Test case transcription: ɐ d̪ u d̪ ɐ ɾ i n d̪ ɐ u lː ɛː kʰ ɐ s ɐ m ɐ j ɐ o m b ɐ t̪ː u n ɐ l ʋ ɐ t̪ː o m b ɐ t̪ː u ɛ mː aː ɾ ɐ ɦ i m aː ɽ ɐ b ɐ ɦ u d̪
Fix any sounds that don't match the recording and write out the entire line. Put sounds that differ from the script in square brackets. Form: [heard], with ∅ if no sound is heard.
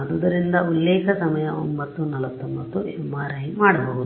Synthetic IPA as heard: ɐ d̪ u d̪ ɐ ɾ i n d̪ ɐ u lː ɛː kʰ ɐ s ɐ m ɐ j ɐ o m b ɐ t̪ː u n ɐ l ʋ ɐ t̪ː o m b ɐ t̪ː u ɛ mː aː ɾ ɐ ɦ i m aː ɽ ɐ b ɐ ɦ u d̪